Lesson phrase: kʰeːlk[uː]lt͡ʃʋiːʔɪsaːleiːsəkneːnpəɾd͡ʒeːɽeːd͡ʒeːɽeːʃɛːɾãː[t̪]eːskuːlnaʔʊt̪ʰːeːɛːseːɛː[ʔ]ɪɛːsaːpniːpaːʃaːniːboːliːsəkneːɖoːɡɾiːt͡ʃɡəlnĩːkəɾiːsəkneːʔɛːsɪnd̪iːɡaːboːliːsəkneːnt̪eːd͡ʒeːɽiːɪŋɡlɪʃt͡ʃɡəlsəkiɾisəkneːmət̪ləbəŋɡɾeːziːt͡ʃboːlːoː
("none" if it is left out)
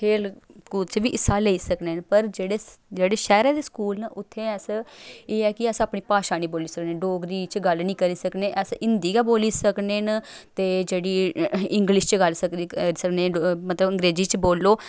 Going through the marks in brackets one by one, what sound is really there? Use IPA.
uː, d̪, k

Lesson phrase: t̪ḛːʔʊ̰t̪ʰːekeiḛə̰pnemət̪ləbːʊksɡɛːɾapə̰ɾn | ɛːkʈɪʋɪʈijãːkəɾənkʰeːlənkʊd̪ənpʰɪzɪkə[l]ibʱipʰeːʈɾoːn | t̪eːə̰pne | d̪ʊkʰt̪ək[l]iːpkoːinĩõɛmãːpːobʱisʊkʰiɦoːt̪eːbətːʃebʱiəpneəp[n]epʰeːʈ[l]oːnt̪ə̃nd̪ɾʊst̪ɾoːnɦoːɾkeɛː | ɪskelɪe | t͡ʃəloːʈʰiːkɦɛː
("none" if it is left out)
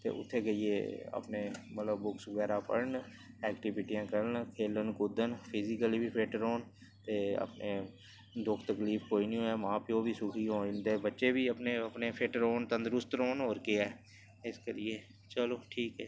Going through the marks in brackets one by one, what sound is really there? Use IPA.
l, l, n, ɾ

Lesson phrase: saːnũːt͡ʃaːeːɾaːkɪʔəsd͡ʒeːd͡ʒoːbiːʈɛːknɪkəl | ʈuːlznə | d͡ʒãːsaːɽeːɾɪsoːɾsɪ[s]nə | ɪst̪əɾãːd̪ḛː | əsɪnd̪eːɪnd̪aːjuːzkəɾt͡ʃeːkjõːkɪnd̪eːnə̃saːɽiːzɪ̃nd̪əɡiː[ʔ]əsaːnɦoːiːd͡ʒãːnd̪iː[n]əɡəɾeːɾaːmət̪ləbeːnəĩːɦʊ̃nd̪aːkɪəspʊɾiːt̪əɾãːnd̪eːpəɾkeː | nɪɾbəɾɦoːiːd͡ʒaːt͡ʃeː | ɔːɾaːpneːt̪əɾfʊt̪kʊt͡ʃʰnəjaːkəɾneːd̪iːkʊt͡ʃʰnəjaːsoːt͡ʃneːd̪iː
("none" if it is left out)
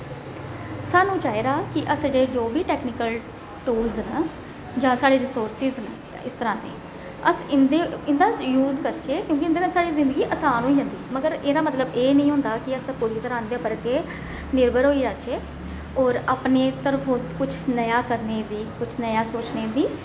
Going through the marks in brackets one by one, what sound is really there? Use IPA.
z, ʔ, m

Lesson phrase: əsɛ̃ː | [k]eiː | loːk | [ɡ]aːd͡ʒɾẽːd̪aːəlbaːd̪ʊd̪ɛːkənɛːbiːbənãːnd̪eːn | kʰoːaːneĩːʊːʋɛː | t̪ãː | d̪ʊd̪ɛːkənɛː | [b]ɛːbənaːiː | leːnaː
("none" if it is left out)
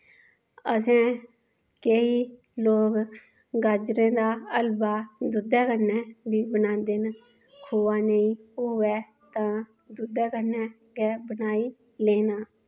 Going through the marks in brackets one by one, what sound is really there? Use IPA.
k, ɡ, ɡ

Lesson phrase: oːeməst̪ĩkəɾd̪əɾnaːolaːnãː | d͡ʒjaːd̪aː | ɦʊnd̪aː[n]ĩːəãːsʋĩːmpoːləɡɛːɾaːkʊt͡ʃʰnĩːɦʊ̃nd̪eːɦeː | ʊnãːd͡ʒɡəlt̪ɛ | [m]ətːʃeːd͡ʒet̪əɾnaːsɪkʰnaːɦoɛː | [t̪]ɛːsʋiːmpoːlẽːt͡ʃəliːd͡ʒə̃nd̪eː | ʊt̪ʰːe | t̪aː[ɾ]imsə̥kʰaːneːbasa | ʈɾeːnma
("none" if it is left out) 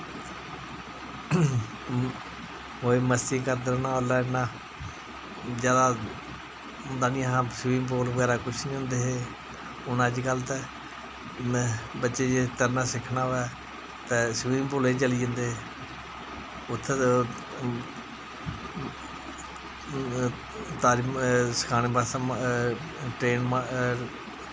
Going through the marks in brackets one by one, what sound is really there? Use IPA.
n, b, t̪, ɾ

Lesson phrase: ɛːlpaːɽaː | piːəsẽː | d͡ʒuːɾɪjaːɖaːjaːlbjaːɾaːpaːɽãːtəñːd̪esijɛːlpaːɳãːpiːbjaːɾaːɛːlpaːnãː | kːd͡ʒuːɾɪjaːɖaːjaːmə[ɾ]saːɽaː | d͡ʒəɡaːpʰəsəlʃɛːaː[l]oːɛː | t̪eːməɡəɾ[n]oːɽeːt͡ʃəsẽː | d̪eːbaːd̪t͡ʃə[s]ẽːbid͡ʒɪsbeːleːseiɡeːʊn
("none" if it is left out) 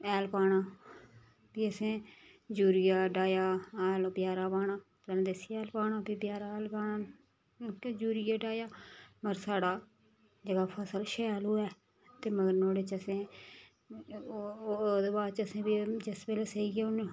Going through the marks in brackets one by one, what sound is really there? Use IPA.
ɾ, l, n, s

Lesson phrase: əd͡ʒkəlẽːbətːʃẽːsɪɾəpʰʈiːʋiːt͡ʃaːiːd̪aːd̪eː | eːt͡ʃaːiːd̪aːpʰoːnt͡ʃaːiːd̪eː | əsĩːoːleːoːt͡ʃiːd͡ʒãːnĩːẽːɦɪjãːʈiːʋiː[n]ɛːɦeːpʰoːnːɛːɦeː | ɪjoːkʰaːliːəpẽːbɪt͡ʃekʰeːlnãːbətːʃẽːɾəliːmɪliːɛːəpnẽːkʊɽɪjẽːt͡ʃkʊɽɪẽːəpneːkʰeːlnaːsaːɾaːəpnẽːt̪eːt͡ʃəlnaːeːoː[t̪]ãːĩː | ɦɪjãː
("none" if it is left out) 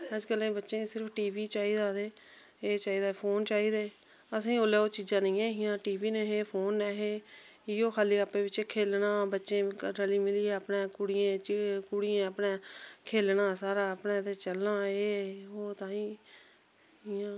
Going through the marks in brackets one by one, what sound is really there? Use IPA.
n, t̪

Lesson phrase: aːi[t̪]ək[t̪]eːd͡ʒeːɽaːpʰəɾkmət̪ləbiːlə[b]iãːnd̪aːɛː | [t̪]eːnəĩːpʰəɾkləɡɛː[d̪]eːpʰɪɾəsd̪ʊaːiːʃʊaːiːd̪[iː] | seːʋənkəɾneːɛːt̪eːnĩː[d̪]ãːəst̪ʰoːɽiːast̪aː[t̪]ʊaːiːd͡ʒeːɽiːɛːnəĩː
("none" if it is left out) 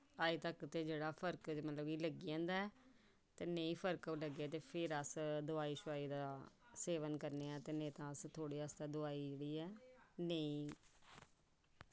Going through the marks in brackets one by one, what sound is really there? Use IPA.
t̪, t̪, ɡ, t̪, t̪, aː, t̪, d̪

